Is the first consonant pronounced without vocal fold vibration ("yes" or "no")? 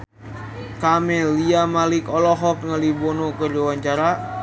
yes